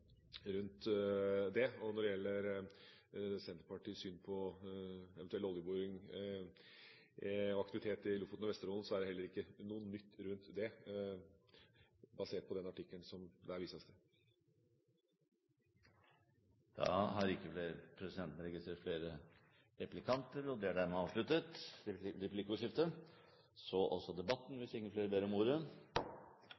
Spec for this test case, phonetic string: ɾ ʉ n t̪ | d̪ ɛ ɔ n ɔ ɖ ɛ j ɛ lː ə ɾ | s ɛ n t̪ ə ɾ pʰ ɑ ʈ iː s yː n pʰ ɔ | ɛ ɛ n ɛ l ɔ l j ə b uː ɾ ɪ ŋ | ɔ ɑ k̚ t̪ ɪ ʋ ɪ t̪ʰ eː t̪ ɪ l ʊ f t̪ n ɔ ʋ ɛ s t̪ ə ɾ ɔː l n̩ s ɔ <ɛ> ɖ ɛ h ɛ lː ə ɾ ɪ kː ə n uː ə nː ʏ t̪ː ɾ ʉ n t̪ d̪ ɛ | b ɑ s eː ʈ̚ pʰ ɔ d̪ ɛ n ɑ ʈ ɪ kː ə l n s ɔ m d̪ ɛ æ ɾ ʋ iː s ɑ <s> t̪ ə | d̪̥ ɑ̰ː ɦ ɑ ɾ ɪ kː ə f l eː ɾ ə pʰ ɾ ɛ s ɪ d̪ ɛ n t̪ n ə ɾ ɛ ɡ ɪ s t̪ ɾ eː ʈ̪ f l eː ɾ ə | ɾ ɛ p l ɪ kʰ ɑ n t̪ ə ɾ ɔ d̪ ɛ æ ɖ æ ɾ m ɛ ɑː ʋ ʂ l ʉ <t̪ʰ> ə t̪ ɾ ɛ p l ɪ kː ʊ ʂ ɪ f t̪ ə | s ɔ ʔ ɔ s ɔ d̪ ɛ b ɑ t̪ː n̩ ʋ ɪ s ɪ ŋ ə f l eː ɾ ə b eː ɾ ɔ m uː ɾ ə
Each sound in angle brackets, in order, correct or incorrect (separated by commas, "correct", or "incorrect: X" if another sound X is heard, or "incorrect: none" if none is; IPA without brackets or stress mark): incorrect: æ, correct, incorrect: t̪